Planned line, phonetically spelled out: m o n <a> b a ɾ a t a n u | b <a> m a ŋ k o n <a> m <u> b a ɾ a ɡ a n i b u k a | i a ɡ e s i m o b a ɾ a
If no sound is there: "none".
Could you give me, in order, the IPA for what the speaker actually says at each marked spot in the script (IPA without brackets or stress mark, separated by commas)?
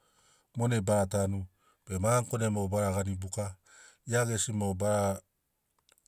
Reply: e, e, e, o